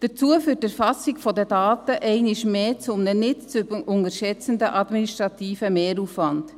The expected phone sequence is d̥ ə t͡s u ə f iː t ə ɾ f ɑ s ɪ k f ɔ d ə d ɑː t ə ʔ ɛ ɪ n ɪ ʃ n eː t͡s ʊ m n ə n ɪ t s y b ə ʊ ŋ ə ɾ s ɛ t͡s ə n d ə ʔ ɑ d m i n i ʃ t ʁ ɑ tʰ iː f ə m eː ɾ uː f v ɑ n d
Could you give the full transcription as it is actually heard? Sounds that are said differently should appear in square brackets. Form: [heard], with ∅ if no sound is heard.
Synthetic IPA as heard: d̥ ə t͡s u ə f [yː] t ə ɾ f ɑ s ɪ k f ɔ d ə d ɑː t ə ʔ ɛ ɪ n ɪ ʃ [m] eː t͡s ʊ m n ə n ɪ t [t͡s] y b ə ʊ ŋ ə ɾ [ʃ] ɛ t͡s ə n d ə ʔ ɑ d m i n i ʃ t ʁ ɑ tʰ iː f ə m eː ɾ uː f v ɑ n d